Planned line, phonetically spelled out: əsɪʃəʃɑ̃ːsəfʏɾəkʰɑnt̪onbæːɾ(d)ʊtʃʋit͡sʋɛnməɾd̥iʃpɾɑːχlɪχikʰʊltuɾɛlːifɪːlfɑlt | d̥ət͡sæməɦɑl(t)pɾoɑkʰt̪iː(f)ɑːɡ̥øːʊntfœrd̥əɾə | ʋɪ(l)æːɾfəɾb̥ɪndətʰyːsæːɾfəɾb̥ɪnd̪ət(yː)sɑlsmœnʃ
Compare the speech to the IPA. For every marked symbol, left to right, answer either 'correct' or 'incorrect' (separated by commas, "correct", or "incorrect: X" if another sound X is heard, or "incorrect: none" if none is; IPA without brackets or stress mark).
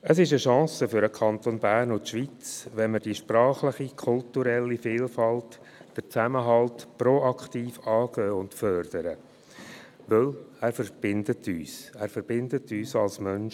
incorrect: n, correct, correct, correct, correct